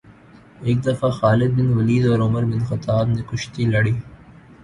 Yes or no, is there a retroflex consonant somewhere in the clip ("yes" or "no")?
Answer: yes